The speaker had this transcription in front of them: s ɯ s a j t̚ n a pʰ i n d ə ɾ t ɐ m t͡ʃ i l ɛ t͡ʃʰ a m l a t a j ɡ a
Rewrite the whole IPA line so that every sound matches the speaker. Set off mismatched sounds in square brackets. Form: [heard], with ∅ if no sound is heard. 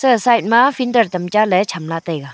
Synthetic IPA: s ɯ s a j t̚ [m] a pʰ i n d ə ɾ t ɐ m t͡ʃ [a] l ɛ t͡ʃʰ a m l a t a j ɡ a